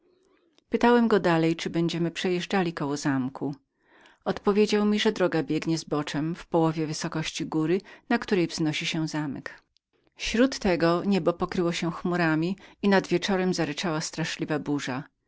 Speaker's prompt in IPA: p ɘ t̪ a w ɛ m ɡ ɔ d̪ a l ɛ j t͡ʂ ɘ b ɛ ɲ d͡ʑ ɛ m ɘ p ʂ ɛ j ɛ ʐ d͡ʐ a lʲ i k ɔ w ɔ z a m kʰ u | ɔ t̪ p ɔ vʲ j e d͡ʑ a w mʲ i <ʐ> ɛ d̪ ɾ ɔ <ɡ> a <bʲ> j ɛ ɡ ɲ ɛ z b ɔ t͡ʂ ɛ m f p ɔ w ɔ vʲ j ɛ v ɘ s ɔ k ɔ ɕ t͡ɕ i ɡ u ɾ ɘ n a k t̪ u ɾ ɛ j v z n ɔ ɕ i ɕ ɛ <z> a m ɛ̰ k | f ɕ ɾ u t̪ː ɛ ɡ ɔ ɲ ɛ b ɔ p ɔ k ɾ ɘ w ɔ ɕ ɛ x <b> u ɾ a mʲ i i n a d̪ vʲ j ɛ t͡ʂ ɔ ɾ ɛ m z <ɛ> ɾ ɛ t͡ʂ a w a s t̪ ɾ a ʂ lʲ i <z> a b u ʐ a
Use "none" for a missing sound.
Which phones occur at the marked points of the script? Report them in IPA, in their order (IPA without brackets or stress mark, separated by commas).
ʐ, ɡ, bʲ, z, m, a, v